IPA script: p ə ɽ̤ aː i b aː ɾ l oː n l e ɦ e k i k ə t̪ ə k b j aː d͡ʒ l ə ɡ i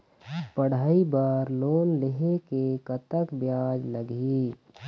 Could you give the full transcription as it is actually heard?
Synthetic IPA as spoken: p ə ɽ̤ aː i b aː ɾ l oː n l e ɦ e k e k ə t̪ ə k b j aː d͡ʒ l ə ɡ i